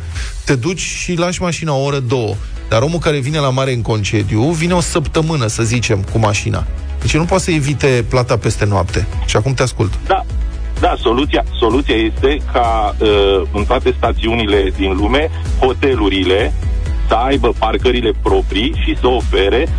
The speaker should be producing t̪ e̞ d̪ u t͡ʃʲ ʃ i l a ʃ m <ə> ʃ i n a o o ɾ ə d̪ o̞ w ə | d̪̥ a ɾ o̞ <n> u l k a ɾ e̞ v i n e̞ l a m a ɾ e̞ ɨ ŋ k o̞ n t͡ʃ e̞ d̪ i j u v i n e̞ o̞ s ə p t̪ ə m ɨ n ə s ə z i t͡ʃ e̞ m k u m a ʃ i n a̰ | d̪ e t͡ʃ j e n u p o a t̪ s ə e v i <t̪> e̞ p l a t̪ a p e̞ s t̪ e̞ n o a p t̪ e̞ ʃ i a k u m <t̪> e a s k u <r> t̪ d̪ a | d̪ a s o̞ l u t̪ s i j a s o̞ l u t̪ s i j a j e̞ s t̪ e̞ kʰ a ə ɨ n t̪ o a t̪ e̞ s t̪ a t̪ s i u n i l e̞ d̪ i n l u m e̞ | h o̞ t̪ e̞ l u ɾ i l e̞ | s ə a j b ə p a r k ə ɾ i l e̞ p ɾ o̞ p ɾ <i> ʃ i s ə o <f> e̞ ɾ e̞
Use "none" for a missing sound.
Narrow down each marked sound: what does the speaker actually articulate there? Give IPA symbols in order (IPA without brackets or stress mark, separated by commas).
a, m, t̪, t̪, l, i, f